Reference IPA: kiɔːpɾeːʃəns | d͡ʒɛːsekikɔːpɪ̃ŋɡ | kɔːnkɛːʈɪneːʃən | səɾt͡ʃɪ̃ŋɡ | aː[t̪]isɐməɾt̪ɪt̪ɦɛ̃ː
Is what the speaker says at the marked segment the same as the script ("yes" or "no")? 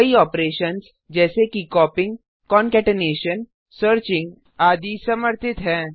no